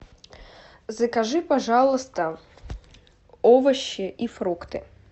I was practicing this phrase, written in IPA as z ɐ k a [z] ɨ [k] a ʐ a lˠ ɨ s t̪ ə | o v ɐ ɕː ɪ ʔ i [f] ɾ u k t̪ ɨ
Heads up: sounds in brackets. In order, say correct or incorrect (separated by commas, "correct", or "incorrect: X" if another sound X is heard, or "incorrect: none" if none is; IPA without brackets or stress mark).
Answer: incorrect: ʐ, incorrect: p, correct